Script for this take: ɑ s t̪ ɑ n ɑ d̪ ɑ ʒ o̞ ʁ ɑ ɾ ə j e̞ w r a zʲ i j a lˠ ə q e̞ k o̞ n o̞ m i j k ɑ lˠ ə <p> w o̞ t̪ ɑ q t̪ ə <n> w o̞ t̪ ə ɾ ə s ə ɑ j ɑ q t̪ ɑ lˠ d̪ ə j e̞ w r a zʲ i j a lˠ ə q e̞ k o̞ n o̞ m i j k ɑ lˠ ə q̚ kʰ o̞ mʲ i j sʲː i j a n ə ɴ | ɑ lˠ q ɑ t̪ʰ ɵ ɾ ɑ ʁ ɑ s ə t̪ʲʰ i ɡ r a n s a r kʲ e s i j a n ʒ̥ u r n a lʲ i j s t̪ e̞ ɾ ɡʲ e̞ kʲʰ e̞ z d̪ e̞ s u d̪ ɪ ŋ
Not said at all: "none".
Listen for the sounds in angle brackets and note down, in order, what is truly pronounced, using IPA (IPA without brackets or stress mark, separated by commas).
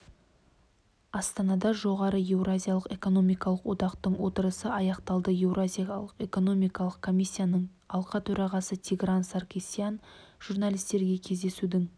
q, ɴ